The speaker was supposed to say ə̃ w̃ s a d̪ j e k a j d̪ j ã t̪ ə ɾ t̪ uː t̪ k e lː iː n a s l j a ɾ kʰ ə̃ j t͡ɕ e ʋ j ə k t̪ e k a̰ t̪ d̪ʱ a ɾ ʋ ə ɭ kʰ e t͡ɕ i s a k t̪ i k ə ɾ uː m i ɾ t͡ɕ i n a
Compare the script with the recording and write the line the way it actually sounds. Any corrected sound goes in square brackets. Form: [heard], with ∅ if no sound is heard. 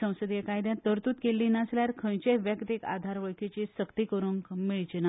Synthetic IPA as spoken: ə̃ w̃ s [ə] d̪ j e k a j d̪ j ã t̪ ə ɾ t̪ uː t̪ k e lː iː n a s l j a ɾ kʰ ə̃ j t͡ɕ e ʋ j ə k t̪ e k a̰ [∅] d̪ʱ a ɾ ʋ ə ɭ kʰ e t͡ɕ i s [ə] k t̪ i k ə ɾ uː m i [ɭ] t͡ɕ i n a